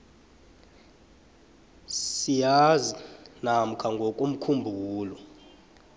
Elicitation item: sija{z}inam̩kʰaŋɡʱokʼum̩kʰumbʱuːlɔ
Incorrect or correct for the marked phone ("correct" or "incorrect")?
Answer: correct